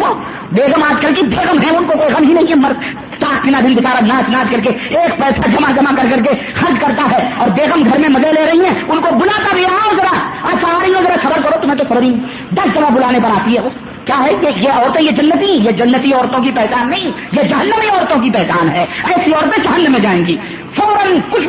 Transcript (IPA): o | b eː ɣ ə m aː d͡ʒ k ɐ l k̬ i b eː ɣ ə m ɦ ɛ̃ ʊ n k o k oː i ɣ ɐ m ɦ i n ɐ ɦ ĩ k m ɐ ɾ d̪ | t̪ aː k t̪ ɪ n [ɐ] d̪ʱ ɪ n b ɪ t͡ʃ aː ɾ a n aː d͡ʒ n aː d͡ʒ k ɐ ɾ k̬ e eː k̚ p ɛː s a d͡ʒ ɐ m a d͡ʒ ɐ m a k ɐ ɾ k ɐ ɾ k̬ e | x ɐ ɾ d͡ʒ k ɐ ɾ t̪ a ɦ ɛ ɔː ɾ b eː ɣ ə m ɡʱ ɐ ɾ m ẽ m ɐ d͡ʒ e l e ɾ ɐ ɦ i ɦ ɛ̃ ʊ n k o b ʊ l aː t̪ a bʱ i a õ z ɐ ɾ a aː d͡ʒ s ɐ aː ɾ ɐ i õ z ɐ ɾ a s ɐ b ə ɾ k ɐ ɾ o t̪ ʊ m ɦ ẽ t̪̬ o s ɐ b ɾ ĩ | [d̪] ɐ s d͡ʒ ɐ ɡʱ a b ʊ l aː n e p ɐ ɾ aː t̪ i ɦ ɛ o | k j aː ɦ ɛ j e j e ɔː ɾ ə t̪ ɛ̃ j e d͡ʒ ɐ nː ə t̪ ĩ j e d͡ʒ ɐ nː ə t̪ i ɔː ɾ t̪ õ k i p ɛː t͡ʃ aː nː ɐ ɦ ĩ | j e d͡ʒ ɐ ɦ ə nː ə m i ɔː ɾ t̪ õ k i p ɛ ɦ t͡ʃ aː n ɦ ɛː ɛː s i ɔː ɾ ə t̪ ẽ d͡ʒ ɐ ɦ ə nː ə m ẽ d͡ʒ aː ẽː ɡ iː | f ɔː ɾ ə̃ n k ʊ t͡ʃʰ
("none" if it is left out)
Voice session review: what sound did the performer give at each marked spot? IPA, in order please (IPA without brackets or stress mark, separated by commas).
a, d̪